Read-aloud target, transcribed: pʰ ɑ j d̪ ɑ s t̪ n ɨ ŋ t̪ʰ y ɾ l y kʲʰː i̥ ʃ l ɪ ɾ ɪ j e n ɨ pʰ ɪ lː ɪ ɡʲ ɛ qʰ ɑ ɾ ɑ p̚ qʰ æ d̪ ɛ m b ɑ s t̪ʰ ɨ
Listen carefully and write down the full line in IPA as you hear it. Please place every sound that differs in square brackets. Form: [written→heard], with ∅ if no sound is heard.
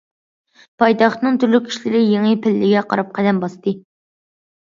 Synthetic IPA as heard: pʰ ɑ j [d̪→t̪] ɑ [s→χ] t̪ n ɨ ŋ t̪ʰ y ɾ l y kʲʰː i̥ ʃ l ɪ ɾ ɪ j e [n→ŋ] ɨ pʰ ɪ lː ɪ ɡʲ ɛ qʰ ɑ ɾ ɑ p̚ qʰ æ d̪ ɛ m b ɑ s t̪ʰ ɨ

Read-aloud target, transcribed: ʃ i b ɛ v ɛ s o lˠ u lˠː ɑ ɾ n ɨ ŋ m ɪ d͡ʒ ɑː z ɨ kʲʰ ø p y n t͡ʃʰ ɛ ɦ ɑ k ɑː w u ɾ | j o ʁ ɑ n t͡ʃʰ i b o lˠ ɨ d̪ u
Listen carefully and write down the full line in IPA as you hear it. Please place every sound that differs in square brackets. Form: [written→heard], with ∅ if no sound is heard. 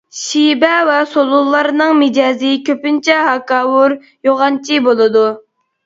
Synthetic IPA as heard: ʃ i b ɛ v ɛ s o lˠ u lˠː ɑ ɾ n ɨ ŋ m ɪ d͡ʒ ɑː z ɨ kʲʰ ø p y n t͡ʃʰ ɛ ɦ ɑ k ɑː w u ɾ | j o ʁ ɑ n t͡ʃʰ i b o lˠ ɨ d̪ u

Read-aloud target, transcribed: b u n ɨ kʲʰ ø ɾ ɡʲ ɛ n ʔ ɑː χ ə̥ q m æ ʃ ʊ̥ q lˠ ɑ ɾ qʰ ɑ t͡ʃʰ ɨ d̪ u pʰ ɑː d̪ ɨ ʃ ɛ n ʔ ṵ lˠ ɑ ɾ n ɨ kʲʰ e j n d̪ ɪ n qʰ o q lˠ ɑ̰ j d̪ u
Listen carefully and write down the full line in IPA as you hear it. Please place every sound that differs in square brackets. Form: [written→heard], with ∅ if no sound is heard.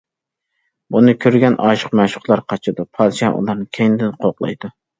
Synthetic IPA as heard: b u n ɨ kʲʰ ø ɾ ɡʲ ɛ n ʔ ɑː [χ→ʃ] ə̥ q m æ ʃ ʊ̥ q lˠ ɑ ɾ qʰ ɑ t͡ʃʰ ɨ d̪ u pʰ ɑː d̪ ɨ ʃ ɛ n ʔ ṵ lˠ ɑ ɾ n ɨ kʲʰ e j n d̪ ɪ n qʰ o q lˠ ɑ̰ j d̪ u

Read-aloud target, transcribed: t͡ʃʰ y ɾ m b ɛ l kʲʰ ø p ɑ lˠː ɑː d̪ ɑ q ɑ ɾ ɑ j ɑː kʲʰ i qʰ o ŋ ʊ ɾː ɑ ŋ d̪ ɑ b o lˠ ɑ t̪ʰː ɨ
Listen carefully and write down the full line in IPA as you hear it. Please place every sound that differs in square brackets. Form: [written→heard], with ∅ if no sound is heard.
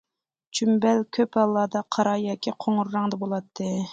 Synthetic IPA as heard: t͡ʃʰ y [ɾ→∅] m b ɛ l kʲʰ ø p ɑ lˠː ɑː d̪ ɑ [q→qʰ] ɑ ɾ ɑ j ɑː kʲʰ i qʰ o ŋ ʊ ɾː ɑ ŋ d̪ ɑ b o lˠ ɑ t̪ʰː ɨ

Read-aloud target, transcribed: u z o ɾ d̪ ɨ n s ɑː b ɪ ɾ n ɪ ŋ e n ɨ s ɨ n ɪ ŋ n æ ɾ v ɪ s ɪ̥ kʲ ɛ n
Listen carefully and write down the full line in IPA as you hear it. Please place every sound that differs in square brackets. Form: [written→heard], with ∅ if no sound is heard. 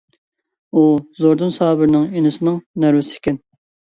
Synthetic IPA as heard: u z o ɾ d̪ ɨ n s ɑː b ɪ ɾ n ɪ ŋ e n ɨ s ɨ n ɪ ŋ n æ ɾ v ɪ s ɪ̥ kʲ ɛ n

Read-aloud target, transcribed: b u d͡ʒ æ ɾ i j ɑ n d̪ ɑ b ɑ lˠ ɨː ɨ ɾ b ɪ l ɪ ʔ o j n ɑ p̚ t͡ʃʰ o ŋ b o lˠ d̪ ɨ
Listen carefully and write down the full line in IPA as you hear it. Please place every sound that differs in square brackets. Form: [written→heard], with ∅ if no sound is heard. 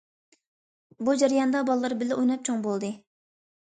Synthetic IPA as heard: b u d͡ʒ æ ɾ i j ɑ n d̪ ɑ b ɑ lˠ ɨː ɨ ɾ b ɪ l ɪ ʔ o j n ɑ p̚ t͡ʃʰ o ŋ b o lˠ d̪ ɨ

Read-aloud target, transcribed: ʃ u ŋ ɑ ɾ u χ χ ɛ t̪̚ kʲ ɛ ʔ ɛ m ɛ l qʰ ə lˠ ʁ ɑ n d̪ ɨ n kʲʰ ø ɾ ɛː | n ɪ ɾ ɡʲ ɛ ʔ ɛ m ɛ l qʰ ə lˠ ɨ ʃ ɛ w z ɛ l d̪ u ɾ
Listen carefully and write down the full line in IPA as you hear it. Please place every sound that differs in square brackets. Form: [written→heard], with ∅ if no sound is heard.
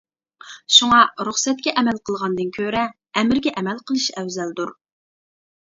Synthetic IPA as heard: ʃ u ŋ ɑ ɾ u χ [χ→s] ɛ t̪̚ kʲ ɛ ʔ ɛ m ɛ l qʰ ə lˠ ʁ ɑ n d̪ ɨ n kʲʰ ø ɾ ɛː | [n→m] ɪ ɾ ɡʲ ɛ ʔ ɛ m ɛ l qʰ ə lˠ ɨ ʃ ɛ w z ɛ l d̪ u ɾ

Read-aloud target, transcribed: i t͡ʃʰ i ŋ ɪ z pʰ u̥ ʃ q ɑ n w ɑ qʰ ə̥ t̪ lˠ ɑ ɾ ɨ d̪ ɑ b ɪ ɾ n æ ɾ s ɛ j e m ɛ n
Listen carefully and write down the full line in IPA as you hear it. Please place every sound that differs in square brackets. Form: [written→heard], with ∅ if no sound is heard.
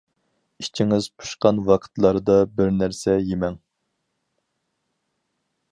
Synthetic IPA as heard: i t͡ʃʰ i ŋ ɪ z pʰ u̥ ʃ q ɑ n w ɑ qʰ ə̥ t̪ lˠ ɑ ɾ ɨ d̪ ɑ b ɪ ɾ n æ ɾ s ɛ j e m ɛ [n→ŋ]

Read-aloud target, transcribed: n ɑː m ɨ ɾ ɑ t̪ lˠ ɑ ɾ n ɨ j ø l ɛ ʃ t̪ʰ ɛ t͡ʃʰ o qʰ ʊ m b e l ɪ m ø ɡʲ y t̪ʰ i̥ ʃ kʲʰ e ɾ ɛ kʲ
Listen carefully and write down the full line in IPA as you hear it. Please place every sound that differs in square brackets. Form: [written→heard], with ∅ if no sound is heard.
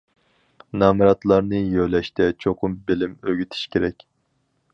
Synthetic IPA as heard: n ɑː m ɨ ɾ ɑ t̪ lˠ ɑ ɾ n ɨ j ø l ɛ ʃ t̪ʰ ɛ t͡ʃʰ o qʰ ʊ m b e l ɪ m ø ɡʲ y t̪ʰ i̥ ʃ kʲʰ e ɾ ɛ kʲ

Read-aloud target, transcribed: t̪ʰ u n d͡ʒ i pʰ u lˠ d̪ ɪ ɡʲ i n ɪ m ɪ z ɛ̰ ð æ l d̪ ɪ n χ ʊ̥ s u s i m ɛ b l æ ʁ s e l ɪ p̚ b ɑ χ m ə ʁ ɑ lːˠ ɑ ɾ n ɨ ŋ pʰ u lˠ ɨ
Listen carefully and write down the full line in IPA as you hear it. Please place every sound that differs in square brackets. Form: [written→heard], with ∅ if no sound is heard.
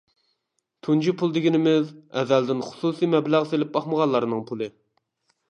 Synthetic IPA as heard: t̪ʰ u n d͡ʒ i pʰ u lˠ d̪ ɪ ɡʲ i n ɪ m ɪ z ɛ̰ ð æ l d̪ ɪ n χ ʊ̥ s u s i m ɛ b l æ ʁ s e l ɪ p̚ b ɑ χ m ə ʁ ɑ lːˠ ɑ ɾ n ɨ ŋ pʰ u lˠ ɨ

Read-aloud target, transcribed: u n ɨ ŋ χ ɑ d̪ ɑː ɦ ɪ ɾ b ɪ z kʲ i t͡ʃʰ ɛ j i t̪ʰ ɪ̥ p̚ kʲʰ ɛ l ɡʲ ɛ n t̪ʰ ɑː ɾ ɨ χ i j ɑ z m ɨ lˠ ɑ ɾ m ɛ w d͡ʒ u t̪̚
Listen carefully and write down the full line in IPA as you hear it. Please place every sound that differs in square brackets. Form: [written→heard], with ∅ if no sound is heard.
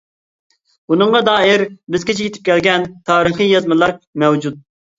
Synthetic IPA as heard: u n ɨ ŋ [χ→ʁ] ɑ d̪ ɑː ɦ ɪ ɾ b ɪ z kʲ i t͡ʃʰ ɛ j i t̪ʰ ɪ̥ p̚ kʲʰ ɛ l ɡʲ ɛ n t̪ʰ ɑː ɾ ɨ χ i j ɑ z m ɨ lˠ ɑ ɾ m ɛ w d͡ʒ u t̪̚

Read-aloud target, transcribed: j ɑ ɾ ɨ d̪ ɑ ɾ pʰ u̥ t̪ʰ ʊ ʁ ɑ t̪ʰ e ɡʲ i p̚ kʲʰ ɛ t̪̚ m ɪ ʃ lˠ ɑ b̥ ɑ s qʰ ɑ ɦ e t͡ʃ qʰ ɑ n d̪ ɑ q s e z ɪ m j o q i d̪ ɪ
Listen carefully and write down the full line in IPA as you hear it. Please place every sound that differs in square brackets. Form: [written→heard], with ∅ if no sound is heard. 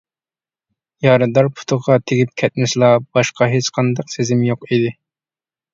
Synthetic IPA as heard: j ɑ ɾ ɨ d̪ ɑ ɾ pʰ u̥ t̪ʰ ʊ ʁ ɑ t̪ʰ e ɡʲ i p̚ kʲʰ ɛ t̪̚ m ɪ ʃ lˠ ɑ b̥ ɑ [s→ʃ] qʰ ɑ ɦ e t͡ʃ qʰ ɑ n d̪ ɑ q s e z ɪ m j o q i d̪ ɪ

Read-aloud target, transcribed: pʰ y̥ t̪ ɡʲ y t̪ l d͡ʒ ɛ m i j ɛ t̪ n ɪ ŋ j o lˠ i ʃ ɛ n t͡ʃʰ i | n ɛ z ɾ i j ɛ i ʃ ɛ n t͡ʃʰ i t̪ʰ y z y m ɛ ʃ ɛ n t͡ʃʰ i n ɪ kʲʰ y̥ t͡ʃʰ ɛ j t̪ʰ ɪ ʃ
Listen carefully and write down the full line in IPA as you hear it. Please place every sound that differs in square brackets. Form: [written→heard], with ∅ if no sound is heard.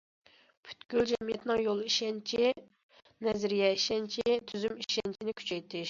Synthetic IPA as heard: pʰ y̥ t̪ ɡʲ y [t̪→∅] l d͡ʒ ɛ m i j ɛ t̪ n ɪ ŋ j o lˠ i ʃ ɛ n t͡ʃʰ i | n ɛ z ɾ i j ɛ i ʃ ɛ n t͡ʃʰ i t̪ʰ y z y m [ɛ→i] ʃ ɛ n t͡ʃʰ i n ɪ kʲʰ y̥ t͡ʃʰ ɛ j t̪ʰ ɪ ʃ

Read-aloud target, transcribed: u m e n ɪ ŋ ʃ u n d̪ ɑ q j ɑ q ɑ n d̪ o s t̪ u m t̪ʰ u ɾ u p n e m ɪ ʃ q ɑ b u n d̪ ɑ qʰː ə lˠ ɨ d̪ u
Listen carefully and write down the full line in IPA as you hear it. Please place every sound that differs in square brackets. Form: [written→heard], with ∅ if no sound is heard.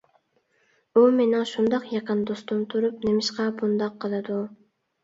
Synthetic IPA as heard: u m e n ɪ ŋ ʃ u n d̪ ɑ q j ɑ q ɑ n d̪ o s t̪ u m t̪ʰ u ɾ u p n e m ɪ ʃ q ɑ b u n d̪ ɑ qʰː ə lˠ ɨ d̪ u

